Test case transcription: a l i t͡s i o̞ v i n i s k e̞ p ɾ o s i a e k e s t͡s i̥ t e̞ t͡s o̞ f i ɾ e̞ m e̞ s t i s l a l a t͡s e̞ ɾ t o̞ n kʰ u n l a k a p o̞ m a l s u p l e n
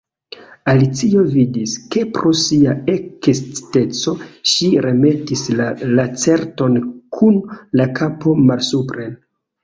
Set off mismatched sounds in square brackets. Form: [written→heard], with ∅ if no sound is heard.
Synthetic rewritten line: a l i t͡s i o̞ v i [n→d] i s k e̞ p ɾ o s i a e k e s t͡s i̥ t e̞ t͡s o̞ [f→ʃ] i ɾ e̞ m e̞ [s→∅] t i s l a l a t͡s e̞ ɾ t o̞ n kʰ u n l a k a p o̞ m a l s u p [l→ɾ] e n